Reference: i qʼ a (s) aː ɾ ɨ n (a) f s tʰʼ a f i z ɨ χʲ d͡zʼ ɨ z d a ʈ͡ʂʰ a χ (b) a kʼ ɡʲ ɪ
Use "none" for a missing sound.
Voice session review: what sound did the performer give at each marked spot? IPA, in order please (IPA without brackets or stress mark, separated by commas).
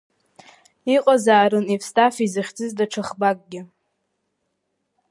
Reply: z, i, b